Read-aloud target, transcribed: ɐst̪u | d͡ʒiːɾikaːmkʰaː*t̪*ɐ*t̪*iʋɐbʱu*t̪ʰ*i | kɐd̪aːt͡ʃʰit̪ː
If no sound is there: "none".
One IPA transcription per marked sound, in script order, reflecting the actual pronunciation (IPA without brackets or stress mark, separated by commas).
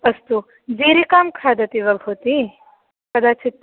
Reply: d̪, t̪, t̪